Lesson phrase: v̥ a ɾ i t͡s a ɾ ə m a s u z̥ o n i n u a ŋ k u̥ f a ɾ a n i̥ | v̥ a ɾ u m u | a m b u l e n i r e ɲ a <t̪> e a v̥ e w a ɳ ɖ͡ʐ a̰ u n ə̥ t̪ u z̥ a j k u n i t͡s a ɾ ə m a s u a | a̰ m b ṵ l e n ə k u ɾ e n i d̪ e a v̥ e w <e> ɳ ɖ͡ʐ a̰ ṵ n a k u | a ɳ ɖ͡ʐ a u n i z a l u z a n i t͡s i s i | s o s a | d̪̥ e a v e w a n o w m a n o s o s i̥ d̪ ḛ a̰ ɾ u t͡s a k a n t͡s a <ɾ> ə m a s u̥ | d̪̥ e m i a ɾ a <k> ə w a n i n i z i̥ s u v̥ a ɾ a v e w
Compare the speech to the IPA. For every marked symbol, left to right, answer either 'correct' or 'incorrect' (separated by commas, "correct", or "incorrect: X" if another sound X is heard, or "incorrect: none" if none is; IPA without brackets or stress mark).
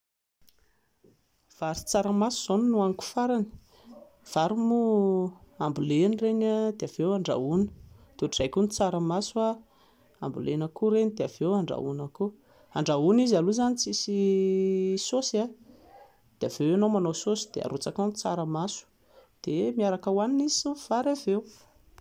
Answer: incorrect: d̪, incorrect: a, correct, correct